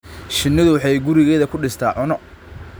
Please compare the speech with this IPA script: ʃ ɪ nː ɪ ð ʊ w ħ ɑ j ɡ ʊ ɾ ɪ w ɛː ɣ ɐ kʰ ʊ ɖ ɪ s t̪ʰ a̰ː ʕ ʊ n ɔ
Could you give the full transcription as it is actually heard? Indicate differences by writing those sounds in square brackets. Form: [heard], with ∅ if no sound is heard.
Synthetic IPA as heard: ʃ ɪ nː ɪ ð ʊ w ħ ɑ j ɡ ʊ ɾ ɪ [ɣ] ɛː [ð] ɐ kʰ ʊ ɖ ɪ s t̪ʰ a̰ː ʕ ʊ n ɔ

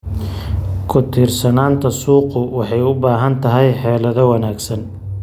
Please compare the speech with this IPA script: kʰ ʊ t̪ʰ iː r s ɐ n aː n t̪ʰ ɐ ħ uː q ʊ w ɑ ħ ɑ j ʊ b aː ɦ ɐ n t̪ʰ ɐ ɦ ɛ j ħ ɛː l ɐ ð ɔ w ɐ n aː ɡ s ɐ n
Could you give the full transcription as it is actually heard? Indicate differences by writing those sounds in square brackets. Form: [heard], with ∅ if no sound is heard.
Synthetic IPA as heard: kʰ ʊ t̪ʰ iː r s ɐ n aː n t̪ʰ ɐ [s] uː q ʊ w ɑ ħ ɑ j ʊ b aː ɦ ɐ n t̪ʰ ɐ ɦ ɛ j ħ ɛː l ɐ ð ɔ w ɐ n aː ɡ s ɐ n

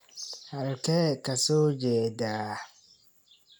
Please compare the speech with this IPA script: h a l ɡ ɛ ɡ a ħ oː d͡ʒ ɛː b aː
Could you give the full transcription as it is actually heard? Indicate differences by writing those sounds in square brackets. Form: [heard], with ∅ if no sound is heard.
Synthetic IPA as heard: h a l [k] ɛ [k] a [s] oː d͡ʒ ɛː [d] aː

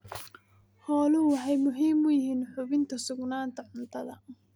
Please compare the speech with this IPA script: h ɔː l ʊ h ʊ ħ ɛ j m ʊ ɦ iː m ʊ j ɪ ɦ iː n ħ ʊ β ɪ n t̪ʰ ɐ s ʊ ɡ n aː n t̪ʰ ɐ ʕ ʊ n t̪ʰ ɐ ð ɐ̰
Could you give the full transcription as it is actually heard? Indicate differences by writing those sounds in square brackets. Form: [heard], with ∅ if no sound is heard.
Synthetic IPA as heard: h ɔː l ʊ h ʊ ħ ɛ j m ʊ ɦ iː m ʊ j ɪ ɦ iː n ħ ʊ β ɪ n t̪ʰ ɐ s ʊ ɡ n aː n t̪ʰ ɐ ʕ ʊ n t̪ʰ ɐ ð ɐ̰

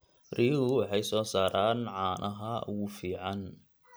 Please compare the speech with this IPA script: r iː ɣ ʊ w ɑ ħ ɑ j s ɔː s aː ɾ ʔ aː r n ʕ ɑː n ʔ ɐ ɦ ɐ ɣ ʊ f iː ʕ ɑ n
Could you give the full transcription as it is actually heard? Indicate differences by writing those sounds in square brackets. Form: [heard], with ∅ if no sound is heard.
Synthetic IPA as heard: r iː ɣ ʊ w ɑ ħ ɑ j s ɔː s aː ɾ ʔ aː [∅] n ʕ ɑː n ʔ ɐ ɦ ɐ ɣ ʊ f iː ʕ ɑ n

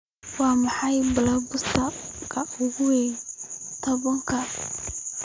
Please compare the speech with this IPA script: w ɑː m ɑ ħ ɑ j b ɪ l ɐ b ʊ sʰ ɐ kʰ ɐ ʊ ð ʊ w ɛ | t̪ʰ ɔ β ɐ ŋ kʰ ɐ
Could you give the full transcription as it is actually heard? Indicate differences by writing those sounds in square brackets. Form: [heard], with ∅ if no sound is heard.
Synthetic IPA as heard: w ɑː m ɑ ħ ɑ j b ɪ l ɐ b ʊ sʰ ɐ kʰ ɐ ʊ [ɣ] ʊ w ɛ | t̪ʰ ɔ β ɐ ŋ kʰ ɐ

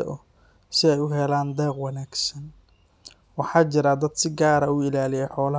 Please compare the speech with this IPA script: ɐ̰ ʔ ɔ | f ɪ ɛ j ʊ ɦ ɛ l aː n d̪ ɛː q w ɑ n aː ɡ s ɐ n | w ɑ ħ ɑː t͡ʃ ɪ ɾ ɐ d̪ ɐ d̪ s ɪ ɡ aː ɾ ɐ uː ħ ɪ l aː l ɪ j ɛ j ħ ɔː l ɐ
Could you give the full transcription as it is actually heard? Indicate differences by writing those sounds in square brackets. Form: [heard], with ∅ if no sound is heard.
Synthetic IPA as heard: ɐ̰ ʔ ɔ | [s] ɪ ɛ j ʊ ɦ ɛ l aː n d̪ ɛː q w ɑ n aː ɡ s ɐ n | w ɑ ħ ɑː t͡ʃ ɪ ɾ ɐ d̪ ɐ d̪ s ɪ ɡ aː ɾ ɐ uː [∅] ɪ l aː l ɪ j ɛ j ħ ɔː l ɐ

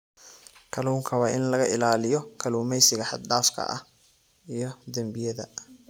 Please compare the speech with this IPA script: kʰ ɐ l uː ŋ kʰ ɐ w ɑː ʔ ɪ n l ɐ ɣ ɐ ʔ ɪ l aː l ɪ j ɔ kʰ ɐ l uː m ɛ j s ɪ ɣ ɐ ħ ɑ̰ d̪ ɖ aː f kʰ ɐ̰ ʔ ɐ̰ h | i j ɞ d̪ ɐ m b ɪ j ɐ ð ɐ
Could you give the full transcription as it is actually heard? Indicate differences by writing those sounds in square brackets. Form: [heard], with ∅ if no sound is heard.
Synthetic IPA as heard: kʰ ɐ l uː ŋ kʰ ɐ w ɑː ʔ ɪ n l ɐ ɣ ɐ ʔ ɪ l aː l ɪ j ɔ kʰ ɐ l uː m ɛ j s ɪ ɣ ɐ ħ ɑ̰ d̪ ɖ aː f kʰ ɐ̰ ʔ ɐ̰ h | i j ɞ d̪ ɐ m b ɪ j ɐ ð ɐ

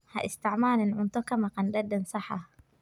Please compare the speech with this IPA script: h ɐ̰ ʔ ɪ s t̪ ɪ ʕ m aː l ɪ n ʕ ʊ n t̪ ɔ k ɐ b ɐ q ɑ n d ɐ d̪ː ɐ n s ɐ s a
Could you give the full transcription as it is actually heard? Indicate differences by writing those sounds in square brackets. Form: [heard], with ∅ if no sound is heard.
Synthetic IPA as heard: h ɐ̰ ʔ ɪ s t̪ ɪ ʕ m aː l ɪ n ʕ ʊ n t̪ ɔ k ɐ [m] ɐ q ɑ n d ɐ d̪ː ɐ n s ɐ [ħ] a

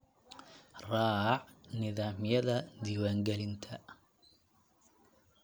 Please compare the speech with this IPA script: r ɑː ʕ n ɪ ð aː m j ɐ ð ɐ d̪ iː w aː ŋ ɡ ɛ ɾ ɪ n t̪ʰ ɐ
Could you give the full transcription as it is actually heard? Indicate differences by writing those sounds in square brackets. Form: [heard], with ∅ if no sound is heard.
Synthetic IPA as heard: r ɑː ʕ n ɪ ð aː m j ɐ ð ɐ d̪ iː w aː ŋ ɡ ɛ [l] ɪ n t̪ʰ ɐ

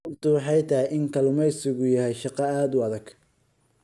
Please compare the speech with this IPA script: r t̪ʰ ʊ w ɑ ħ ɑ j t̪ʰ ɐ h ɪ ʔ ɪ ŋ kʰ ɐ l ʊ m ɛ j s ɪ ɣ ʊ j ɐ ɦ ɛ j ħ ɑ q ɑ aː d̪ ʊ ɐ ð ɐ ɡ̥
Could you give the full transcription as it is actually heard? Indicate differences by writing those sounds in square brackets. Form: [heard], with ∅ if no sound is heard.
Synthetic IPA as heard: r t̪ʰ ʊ w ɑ ħ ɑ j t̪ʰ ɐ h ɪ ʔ ɪ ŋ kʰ ɐ l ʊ m ɛ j s ɪ ɣ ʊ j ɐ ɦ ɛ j [ʃ] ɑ q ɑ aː d̪ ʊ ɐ ð ɐ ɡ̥

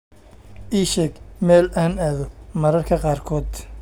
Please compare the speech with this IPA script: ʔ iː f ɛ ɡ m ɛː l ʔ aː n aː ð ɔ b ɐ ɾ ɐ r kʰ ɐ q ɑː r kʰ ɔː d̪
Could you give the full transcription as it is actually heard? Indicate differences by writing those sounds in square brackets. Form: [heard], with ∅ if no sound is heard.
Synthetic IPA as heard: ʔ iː [ʃ] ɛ ɡ m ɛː l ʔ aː n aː ð ɔ [m] ɐ ɾ ɐ r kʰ ɐ q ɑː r kʰ ɔː d̪

